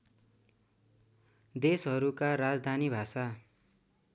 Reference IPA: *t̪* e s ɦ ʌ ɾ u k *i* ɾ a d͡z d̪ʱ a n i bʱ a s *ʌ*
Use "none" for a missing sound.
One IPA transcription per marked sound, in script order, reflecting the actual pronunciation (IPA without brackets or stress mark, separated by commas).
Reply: d̪, a, a